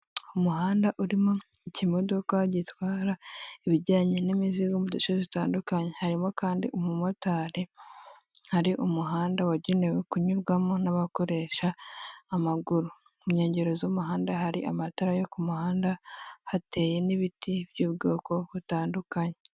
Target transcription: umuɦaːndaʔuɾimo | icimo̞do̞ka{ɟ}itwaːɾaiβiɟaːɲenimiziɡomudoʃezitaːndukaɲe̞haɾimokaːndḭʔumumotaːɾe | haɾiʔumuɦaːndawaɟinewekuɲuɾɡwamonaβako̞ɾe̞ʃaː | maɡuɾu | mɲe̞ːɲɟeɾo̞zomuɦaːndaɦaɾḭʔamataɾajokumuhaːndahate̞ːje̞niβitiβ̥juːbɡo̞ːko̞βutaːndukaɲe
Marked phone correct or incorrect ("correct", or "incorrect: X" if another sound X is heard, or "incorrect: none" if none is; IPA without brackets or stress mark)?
correct